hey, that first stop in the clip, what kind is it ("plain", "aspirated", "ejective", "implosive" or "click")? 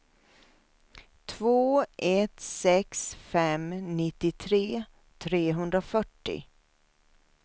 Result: aspirated